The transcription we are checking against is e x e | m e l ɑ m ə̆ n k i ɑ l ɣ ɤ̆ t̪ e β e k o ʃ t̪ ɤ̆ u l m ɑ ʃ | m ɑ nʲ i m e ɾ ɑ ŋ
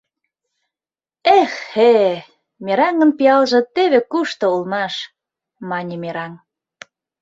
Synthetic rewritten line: e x e | m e ɾ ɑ ŋ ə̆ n p i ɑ l ʒ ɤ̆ t̪ e β e k u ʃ t̪ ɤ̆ u l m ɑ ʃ | m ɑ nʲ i m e ɾ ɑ ŋ